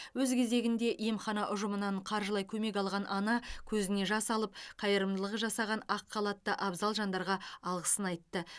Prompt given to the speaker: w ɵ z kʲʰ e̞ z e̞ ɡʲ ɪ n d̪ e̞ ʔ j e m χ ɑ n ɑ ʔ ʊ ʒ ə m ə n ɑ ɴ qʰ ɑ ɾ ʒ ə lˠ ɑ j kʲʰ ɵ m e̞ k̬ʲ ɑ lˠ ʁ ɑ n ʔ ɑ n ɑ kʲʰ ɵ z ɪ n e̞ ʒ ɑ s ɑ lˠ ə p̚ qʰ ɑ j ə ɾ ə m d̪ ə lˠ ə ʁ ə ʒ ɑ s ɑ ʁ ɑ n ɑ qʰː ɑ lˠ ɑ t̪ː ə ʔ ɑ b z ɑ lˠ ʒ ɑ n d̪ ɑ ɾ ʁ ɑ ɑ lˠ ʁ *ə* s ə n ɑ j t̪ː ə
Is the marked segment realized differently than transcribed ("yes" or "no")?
no